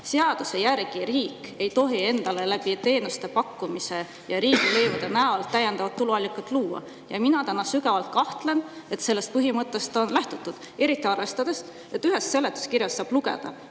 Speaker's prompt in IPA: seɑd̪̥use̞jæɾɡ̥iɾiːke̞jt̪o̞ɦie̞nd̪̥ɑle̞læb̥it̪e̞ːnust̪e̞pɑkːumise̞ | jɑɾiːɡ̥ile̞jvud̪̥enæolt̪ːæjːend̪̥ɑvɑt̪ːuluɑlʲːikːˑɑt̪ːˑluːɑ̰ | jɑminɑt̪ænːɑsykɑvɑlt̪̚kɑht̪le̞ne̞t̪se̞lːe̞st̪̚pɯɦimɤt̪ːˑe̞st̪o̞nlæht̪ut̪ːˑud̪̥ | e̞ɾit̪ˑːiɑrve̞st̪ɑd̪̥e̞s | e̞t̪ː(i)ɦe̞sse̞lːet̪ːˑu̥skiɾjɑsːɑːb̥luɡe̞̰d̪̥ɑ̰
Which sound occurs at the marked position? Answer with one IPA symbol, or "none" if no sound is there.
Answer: y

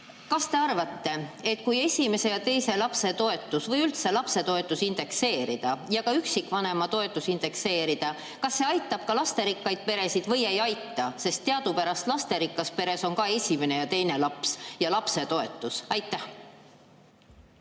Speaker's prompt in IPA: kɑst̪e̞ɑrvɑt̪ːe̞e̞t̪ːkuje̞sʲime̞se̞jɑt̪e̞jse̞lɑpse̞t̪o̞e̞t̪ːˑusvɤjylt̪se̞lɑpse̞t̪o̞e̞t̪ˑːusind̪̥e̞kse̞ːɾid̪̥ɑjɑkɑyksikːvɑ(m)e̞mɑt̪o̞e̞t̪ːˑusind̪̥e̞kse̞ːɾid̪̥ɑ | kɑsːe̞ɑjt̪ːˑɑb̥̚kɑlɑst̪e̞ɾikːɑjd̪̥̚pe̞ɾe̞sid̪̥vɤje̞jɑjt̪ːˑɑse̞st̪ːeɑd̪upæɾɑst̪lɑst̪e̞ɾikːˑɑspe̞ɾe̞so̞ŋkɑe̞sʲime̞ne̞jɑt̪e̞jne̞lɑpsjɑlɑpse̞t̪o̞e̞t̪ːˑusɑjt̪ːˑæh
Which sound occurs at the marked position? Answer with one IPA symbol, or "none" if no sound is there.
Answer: n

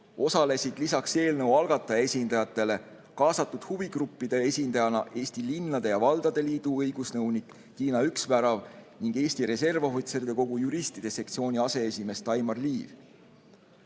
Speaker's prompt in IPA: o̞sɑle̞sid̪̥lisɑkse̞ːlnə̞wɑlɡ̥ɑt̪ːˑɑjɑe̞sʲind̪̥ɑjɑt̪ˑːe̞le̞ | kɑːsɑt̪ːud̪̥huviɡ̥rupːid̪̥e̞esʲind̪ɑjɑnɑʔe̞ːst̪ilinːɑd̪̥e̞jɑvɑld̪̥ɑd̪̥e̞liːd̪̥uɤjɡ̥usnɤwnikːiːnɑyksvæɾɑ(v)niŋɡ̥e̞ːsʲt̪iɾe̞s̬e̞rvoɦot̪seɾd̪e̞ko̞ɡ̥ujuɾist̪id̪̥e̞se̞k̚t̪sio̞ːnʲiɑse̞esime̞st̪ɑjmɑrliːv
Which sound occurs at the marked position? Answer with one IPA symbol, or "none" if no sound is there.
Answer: v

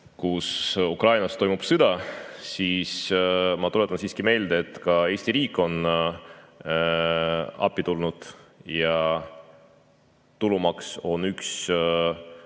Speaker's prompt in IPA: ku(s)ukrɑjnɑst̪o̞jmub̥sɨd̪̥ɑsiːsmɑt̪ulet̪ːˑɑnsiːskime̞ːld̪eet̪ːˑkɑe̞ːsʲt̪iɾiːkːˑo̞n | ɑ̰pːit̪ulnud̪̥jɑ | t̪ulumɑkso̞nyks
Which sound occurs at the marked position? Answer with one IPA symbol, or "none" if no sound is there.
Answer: s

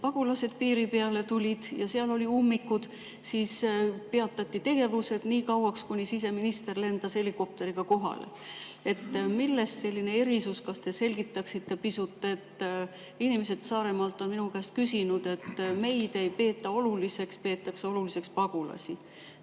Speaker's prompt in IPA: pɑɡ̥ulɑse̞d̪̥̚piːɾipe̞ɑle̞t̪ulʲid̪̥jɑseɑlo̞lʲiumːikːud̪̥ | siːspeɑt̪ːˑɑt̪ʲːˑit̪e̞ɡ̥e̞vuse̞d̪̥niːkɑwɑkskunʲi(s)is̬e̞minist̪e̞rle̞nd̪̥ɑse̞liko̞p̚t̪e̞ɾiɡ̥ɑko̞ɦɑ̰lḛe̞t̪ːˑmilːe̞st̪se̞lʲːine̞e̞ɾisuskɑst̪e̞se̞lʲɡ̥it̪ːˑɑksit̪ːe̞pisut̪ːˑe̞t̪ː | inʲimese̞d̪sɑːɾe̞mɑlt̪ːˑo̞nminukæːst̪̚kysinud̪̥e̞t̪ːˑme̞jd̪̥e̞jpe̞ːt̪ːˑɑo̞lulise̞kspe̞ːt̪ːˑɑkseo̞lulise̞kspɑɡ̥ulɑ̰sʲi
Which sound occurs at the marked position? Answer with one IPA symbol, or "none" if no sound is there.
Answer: s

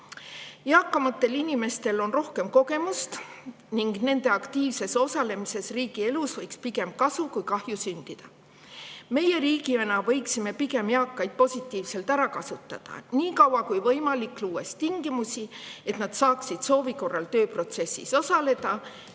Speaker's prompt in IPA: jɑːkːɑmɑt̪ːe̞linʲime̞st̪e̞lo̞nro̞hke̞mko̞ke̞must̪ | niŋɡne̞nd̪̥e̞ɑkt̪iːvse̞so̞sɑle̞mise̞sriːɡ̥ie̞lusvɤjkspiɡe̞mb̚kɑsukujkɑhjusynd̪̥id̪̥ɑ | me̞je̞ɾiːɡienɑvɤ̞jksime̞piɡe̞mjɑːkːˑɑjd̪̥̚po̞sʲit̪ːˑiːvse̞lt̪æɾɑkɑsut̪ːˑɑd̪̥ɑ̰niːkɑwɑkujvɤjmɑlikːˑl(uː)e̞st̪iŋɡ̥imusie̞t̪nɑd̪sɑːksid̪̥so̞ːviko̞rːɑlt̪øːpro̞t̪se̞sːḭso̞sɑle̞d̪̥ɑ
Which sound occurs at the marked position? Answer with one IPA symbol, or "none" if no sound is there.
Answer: uː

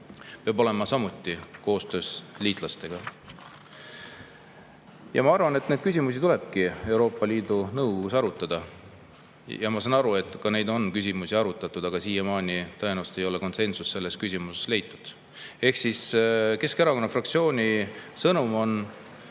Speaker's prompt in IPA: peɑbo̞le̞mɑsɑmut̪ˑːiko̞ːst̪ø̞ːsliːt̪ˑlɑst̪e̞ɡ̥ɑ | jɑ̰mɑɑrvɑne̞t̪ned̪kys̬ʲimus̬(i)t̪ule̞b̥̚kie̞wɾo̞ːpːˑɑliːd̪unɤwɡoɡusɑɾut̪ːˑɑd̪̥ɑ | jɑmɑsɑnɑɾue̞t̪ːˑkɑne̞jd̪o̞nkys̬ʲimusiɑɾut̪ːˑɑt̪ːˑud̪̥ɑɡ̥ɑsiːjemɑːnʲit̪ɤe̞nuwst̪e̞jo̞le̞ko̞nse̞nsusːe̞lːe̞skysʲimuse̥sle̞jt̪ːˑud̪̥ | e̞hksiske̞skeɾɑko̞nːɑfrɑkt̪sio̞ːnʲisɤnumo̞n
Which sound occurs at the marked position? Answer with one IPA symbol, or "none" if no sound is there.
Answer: i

